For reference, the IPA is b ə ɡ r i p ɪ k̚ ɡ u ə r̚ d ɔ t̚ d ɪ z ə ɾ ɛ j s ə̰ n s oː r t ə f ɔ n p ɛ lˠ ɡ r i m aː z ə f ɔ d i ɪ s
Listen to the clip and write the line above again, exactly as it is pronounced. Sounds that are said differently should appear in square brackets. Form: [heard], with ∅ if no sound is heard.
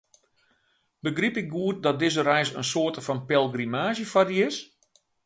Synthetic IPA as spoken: b ə ɡ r i p ɪ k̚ ɡ u ə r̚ d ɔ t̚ d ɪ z ə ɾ ɛ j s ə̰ n s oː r t ə f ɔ n p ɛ lˠ ɡ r i m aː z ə f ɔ d i ɪ s

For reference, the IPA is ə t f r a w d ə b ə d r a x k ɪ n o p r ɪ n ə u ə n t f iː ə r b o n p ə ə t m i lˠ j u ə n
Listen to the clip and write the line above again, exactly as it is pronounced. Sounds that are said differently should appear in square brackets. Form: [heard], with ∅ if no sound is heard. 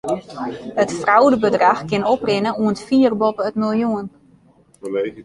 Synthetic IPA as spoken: ə t f r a w d ə b ə d r a x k ɪ n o p r ɪ n ə u ə n t f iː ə r b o [∅] p ə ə t m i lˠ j u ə n

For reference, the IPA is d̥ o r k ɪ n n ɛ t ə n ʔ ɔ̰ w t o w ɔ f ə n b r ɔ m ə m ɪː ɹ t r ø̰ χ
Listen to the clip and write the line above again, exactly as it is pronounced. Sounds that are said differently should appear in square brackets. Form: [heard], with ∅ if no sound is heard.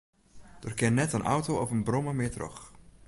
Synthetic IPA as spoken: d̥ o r k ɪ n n ɛ t ə n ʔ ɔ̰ w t o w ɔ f ə n b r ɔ m ə m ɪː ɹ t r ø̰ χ

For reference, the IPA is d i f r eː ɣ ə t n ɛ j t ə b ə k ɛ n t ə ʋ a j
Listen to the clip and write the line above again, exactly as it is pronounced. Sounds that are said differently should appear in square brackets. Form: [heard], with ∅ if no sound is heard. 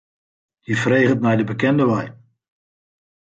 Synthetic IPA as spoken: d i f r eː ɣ ə t [m] ɛ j [d] ə b ə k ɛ n [d] ə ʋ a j

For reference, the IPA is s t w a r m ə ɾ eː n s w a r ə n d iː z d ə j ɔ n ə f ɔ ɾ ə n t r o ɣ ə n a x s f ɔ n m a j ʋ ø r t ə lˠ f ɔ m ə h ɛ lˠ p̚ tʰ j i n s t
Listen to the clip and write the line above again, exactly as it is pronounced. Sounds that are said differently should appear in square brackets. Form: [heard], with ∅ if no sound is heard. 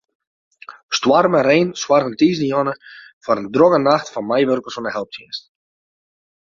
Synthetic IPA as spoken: s t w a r m ə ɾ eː n s w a r ə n [t] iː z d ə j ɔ n ə f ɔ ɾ ə n [d] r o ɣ ə n a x [t] f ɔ n m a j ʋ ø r [k] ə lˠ [s] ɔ [n] ə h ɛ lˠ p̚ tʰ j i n s t

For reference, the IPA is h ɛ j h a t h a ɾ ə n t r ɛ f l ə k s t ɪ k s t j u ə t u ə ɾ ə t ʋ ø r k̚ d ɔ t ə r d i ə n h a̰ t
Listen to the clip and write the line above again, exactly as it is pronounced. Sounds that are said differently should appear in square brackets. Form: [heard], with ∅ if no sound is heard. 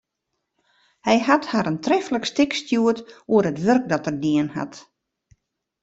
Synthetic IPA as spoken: h ɛ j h a t h a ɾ ə n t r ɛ f l ə k s t ɪ k s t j u ə t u ə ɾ ə t ʋ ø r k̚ d ɔ t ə r d i ə n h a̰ t

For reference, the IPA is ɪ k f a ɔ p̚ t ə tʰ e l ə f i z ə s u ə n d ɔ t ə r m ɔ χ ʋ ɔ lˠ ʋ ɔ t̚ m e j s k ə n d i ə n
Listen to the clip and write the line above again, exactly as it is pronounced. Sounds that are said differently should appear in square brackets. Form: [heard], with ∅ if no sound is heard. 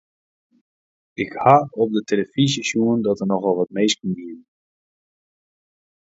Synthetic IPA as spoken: ɪ k [h] a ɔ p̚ [d] ə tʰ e l ə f i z ə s u ə n d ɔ t ə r [n] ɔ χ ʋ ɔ lˠ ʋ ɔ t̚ m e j s k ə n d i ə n

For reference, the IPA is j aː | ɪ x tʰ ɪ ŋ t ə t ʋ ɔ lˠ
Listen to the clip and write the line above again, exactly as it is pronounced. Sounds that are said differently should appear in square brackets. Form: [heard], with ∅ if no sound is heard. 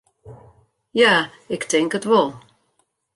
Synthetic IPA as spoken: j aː | ɪ [k] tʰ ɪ ŋ [k] ə t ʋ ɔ lˠ

